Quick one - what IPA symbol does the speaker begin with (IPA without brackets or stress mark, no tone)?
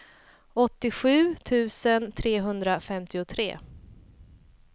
ɔ